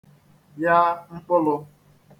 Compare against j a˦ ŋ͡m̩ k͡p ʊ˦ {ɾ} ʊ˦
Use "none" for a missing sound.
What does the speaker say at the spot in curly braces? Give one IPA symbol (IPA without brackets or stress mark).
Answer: l